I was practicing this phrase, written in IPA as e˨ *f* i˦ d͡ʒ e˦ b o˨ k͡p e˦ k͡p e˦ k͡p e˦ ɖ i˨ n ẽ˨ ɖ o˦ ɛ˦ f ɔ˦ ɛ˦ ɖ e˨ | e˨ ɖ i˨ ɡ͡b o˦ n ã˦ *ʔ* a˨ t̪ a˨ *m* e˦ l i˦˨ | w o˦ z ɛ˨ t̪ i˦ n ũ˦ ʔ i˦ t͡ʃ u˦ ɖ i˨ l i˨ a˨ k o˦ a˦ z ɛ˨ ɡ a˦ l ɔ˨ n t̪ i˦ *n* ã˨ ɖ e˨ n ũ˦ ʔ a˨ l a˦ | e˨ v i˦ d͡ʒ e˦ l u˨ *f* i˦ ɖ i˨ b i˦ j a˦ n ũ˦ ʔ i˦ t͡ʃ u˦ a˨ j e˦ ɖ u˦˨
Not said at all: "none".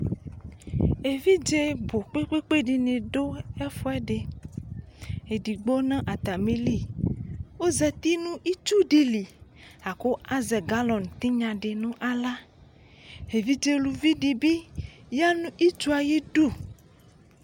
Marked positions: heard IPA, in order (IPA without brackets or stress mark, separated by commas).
v, ʔ, m, ɲ, v